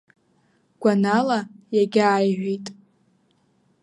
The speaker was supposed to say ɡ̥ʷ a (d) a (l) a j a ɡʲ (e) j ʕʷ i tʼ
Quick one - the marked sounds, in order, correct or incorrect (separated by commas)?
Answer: incorrect, correct, incorrect